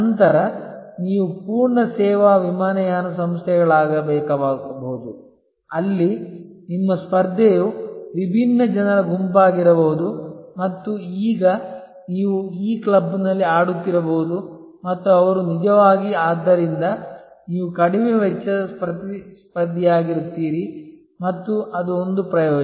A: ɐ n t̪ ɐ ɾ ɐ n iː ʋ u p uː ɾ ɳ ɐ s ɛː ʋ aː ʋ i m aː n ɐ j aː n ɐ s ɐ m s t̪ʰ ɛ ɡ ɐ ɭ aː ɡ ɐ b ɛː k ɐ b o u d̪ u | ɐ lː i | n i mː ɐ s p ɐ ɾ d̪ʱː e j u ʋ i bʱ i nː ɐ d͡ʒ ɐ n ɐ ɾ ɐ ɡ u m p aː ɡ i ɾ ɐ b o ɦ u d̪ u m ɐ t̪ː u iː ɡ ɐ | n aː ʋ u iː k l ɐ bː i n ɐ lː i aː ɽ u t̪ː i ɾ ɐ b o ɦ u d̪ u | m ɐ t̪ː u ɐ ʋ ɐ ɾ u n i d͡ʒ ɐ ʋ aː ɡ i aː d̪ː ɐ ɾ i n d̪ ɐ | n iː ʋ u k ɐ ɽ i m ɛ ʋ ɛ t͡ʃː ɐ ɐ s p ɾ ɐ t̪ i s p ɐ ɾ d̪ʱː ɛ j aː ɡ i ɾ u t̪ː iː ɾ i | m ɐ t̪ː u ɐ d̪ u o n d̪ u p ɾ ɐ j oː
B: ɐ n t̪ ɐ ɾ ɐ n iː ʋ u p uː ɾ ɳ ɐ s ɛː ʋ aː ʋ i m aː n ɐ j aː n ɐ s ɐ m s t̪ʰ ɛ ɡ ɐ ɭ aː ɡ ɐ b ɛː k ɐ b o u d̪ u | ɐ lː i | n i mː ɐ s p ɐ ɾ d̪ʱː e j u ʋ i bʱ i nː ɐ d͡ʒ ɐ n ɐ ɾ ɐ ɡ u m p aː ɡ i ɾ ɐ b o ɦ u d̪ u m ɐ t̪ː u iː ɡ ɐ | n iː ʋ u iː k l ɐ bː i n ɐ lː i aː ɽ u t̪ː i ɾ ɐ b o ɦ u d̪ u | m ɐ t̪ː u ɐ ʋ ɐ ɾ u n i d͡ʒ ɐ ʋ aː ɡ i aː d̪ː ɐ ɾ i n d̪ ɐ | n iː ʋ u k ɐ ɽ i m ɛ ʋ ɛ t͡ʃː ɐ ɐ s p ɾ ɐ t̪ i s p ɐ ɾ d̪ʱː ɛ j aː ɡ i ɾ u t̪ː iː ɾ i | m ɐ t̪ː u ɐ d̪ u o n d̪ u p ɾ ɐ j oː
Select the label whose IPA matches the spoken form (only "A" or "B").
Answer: B